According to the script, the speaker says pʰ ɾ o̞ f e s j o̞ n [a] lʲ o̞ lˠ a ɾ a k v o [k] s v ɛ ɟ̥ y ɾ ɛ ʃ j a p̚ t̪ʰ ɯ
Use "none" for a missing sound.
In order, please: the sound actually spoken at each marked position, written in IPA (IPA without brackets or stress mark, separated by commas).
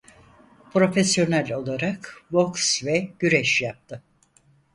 æ, k